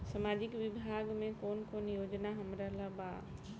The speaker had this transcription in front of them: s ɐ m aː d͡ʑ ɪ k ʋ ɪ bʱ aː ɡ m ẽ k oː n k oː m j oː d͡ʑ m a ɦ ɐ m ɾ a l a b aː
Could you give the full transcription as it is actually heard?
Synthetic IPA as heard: s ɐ m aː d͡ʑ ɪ k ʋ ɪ bʱ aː ɡ m ẽ k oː n k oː n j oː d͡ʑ n a ɦ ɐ m ɾ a l a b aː